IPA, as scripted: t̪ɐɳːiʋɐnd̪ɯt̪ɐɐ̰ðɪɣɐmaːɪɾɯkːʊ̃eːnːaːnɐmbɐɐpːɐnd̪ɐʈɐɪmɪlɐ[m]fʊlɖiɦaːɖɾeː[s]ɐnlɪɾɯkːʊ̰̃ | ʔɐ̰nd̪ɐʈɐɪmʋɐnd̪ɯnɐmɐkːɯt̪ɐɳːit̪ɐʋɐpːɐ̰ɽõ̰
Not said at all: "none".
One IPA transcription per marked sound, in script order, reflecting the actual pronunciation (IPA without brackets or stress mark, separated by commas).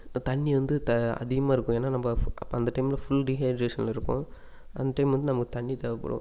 none, ʂ